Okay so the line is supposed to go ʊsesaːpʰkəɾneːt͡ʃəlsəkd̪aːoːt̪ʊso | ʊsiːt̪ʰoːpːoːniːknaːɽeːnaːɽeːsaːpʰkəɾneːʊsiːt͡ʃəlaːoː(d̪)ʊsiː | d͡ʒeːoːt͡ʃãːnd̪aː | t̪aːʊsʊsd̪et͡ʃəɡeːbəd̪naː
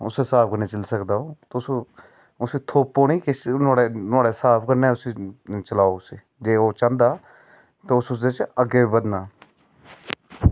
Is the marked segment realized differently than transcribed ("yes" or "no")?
yes